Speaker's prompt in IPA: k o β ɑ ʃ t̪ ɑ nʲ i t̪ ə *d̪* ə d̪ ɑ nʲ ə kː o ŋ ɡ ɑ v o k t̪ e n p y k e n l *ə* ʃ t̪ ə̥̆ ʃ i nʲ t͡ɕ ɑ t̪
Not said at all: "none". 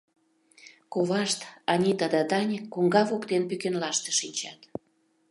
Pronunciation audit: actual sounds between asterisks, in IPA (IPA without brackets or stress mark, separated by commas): d̪, ɑ